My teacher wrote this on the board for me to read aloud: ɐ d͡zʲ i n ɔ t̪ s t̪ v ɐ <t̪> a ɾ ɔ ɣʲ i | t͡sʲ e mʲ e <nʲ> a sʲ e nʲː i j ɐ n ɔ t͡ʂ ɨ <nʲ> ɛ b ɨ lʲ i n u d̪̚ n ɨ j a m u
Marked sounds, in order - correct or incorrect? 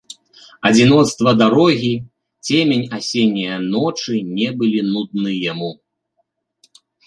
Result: incorrect: d̪, correct, correct

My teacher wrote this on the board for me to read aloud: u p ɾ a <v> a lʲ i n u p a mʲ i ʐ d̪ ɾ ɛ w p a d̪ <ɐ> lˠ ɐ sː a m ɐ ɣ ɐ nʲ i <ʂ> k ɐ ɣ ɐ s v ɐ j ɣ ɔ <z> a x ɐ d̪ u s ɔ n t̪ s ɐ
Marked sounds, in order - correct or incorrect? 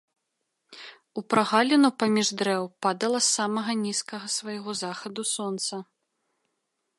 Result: incorrect: ɣ, correct, incorrect: s, correct

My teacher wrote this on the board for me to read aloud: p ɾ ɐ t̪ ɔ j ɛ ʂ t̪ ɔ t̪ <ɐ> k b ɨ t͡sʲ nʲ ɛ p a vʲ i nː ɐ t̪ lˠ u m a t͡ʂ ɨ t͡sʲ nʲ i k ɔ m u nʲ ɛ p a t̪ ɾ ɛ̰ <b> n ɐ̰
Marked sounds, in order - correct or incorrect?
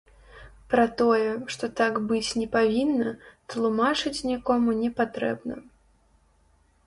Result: incorrect: a, correct

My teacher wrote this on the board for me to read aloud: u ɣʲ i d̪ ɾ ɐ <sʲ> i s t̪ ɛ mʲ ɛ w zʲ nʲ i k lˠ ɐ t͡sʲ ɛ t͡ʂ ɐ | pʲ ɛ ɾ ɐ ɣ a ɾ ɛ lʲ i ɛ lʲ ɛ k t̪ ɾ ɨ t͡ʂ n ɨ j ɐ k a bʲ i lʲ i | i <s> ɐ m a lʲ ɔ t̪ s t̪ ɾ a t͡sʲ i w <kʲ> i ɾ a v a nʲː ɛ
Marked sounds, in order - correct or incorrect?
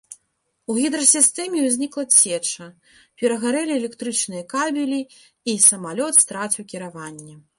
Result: correct, correct, correct

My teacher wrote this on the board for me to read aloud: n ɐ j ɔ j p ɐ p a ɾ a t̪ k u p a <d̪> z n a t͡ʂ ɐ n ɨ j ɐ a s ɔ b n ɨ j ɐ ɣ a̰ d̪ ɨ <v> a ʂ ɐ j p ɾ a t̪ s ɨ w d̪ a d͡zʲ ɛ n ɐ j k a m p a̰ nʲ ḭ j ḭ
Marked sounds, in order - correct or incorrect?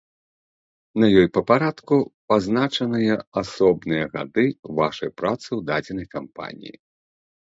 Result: incorrect: none, correct

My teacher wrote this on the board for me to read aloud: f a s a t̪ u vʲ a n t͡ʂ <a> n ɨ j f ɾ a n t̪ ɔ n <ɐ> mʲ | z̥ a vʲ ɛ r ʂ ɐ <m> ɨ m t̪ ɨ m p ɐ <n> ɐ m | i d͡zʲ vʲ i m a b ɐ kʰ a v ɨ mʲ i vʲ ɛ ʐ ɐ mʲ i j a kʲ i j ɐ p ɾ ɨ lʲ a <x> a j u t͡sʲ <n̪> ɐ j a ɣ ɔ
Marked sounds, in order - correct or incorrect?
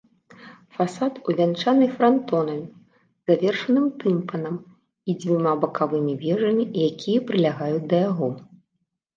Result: correct, correct, incorrect: n, correct, incorrect: ɣ, incorrect: d̪

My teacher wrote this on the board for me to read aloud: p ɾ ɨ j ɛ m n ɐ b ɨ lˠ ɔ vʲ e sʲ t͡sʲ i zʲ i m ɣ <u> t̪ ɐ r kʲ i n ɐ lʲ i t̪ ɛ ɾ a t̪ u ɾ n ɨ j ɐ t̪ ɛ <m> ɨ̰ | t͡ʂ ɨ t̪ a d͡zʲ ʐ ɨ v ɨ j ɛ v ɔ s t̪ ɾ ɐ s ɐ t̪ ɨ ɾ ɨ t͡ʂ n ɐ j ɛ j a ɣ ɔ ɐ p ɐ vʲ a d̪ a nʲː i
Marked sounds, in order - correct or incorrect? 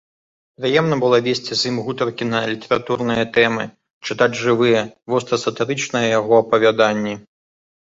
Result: correct, correct

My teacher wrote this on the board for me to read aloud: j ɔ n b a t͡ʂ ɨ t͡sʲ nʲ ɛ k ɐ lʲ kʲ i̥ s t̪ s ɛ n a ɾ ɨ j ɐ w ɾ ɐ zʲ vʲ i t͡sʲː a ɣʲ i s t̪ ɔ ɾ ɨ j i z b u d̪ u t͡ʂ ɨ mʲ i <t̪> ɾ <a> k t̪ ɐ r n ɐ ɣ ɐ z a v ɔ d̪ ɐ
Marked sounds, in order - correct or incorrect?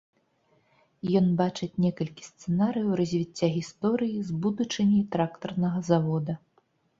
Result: correct, correct

